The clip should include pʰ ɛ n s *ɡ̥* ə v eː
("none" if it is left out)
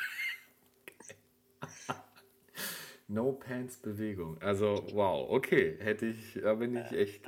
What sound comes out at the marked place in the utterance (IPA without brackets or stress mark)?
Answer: b̥